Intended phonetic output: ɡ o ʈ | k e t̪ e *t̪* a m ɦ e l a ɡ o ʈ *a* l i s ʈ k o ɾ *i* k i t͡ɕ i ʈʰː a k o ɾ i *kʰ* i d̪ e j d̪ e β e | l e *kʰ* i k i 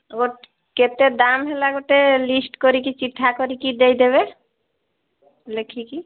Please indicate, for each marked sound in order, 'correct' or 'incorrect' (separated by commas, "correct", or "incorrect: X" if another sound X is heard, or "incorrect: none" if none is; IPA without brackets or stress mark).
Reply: incorrect: d̪, incorrect: e, correct, incorrect: k, correct